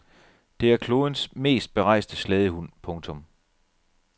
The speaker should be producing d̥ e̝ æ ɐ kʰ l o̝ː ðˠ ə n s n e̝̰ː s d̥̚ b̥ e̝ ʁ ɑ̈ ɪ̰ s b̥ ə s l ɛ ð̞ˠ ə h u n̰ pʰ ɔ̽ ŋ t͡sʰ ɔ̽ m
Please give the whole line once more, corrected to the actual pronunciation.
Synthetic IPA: d̥ e̝ æ ɐ kʰ l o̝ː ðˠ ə n s m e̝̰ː s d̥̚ b̥ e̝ ʁ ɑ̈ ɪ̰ s d̥ ə s l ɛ ð̞ˠ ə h u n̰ pʰ ɔ̽ ŋ t͡sʰ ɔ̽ m